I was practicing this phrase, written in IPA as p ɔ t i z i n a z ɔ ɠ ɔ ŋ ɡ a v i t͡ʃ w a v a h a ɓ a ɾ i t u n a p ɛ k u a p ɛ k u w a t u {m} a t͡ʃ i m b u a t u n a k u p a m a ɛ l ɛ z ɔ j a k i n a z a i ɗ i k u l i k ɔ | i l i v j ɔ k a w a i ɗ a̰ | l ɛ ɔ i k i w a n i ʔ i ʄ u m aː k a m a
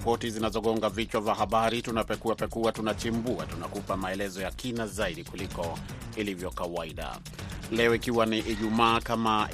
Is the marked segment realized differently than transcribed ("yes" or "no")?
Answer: yes